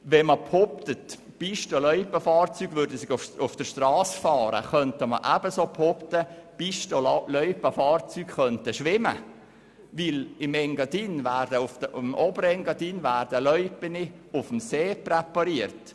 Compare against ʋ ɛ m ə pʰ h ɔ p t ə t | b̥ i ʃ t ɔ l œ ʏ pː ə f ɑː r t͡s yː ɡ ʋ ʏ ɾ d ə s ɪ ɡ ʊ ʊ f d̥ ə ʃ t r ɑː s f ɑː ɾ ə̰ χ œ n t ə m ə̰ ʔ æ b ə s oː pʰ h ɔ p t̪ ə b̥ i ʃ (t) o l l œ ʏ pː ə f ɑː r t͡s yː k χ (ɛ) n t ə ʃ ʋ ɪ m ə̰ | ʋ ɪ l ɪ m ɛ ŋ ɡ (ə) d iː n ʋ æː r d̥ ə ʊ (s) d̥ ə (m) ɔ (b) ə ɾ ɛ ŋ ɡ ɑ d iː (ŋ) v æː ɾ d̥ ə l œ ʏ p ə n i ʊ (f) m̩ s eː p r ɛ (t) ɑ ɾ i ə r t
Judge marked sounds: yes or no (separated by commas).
yes, no, no, no, yes, yes, no, yes, no